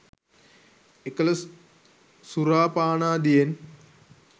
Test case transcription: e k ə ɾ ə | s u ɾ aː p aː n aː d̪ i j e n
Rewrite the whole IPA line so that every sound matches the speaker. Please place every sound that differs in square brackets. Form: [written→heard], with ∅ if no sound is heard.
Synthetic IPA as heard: e k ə [ɾ→l] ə | s u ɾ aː p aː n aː d̪ i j e n